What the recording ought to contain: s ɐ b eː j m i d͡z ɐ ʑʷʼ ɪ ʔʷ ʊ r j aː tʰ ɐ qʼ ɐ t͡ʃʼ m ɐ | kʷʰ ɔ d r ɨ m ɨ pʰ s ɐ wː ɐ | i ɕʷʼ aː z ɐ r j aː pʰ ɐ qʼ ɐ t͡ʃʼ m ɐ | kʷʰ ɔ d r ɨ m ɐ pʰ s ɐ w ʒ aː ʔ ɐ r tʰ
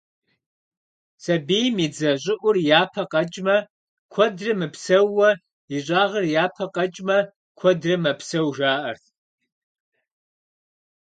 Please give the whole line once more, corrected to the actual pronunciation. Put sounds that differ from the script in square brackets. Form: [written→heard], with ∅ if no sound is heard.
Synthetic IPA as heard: s ɐ b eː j m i d͡z ɐ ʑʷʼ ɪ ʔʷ ʊ r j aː [tʰ→pʰ] ɐ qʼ ɐ t͡ʃʼ m ɐ | kʷʰ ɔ d r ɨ m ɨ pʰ s ɐ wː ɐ | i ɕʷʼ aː [z→ʁ] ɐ r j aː pʰ ɐ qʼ ɐ t͡ʃʼ m ɐ | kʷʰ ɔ d r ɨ m ɐ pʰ s ɐ w ʒ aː ʔ ɐ r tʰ